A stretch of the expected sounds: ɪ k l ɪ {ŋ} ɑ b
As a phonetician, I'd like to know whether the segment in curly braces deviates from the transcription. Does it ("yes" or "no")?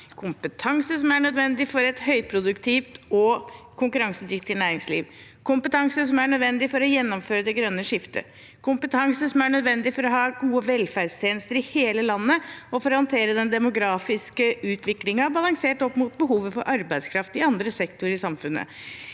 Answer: no